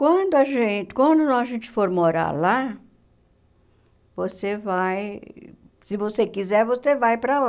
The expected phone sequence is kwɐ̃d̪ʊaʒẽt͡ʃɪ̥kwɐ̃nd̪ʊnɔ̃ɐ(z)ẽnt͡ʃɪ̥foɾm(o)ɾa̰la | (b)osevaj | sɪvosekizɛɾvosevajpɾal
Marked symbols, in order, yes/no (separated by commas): no, yes, no